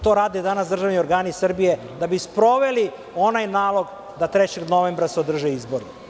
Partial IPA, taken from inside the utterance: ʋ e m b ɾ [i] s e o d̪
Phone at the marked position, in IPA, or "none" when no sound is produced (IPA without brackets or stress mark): a